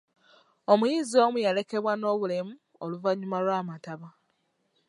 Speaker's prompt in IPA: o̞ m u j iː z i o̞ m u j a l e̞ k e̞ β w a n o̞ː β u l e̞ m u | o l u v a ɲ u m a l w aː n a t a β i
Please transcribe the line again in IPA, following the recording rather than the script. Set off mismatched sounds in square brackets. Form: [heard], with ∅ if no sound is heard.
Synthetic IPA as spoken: o̞ m u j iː z i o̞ m u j a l e̞ k e̞ β w a n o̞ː β u l e̞ m u | o l u v a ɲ u m a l w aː [m] a t a β [a]